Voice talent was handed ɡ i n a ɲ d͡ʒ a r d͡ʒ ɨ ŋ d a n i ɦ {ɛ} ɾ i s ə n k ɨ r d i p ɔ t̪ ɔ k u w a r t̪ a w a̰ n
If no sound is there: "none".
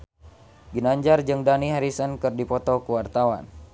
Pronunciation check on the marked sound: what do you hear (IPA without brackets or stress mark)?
a